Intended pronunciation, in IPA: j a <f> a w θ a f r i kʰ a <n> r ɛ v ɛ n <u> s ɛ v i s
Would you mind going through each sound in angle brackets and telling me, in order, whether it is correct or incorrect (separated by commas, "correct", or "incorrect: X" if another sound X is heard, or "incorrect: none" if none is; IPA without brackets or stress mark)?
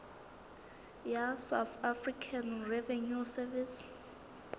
incorrect: s, correct, correct